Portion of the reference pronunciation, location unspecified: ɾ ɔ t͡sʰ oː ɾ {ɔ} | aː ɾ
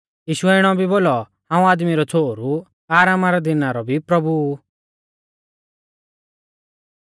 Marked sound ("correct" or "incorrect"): incorrect